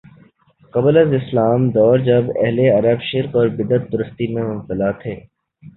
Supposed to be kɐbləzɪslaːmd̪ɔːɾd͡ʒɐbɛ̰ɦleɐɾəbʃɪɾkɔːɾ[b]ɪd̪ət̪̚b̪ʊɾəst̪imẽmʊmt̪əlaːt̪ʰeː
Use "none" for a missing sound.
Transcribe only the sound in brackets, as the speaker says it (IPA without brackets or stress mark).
b